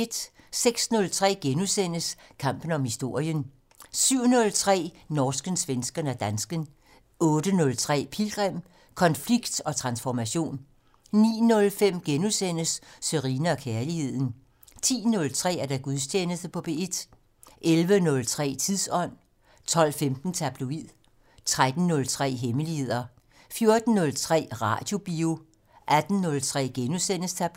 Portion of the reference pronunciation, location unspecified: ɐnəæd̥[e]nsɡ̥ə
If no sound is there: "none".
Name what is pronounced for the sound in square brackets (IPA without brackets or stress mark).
æ